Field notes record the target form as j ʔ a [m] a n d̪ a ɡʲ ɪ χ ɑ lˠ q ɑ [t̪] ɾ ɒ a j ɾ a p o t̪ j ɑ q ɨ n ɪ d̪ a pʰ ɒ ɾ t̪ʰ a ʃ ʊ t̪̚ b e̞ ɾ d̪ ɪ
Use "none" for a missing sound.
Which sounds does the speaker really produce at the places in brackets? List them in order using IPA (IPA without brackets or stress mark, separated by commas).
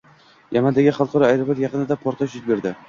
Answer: m, none